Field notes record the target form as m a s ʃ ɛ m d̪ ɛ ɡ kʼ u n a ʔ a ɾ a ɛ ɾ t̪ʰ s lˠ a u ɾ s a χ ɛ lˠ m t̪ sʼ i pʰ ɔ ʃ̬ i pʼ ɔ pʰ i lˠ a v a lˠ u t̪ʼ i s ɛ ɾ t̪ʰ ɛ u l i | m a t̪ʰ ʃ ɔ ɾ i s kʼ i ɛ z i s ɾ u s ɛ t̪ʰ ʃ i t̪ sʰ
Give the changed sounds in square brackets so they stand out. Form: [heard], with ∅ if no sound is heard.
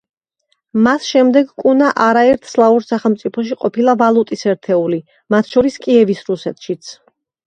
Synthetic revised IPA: m a s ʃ ɛ m d̪ ɛ ɡ kʼ u n a ʔ a ɾ a ɛ ɾ t̪ʰ s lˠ a u ɾ s a χ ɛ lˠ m t̪ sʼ i pʰ ɔ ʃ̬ i [qʼ] ɔ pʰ i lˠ a v a lˠ u t̪ʼ i s ɛ ɾ t̪ʰ ɛ u l i | m a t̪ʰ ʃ ɔ ɾ i s kʼ i ɛ [v] i s ɾ u s ɛ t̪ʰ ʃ i t̪ sʰ